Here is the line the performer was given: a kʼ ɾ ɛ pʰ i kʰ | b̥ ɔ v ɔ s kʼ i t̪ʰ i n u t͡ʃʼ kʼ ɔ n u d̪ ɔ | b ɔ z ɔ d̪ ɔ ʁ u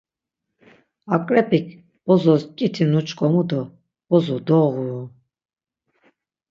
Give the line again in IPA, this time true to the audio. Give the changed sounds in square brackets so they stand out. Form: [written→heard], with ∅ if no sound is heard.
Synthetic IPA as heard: a kʼ ɾ ɛ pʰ i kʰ | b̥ ɔ [v→z] ɔ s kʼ i t̪ʰ i n u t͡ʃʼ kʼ ɔ [n→m] u d̪ ɔ | b ɔ z ɔ d̪ ɔ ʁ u